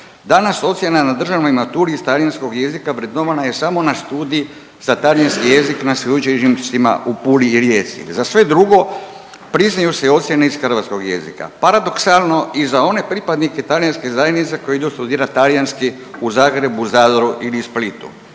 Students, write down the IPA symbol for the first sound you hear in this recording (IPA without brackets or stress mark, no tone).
d̪